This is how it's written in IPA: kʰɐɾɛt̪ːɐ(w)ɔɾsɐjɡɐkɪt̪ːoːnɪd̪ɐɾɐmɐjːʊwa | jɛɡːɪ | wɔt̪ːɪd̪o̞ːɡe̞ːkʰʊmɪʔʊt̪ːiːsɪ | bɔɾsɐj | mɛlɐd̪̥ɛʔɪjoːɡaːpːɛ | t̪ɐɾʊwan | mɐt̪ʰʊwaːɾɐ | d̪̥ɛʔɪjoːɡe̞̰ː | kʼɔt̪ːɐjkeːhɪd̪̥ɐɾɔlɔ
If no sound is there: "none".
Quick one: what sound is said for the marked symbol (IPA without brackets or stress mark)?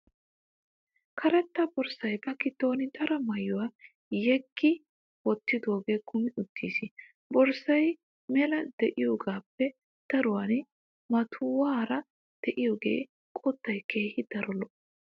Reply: b